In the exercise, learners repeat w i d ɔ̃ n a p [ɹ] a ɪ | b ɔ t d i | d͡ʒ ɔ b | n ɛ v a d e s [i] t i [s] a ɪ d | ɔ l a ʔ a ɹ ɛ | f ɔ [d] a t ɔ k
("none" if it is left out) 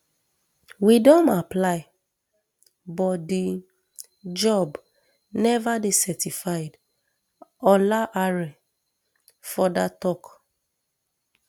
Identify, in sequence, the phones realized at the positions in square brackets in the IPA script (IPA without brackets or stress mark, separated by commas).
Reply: l, ɛ, f, d